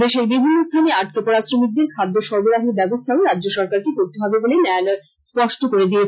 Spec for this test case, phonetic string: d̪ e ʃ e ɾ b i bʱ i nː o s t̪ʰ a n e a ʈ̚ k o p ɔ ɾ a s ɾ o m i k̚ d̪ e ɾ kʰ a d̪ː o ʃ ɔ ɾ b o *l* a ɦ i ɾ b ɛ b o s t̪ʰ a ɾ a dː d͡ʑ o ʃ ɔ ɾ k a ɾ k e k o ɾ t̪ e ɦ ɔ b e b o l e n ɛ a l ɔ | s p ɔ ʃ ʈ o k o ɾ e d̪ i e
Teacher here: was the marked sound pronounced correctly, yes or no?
no